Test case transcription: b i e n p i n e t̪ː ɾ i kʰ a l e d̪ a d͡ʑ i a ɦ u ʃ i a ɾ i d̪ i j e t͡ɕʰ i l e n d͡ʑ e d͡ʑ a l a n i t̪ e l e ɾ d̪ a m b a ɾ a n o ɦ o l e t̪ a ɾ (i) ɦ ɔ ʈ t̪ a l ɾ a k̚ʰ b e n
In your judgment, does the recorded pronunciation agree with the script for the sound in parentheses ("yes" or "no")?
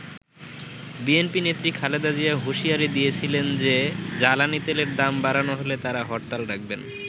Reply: no